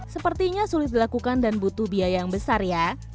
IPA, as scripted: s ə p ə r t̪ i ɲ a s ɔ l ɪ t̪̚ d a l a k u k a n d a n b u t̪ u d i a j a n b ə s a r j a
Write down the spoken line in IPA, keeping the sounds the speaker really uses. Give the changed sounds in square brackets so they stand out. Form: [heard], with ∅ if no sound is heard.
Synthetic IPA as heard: s ə p ə r t̪ i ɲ a s [u] l ɪ t̪̚ d [i] l a k u k a n d a n b u t̪ u [b] i a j a [ŋ] b ə s a r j a